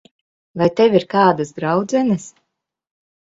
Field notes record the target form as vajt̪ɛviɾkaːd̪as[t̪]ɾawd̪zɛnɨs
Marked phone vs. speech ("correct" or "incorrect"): incorrect